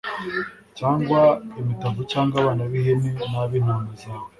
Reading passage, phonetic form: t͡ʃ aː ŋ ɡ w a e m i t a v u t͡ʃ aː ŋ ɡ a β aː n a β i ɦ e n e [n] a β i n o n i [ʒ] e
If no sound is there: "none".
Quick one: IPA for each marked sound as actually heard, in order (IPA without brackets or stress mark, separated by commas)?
n, z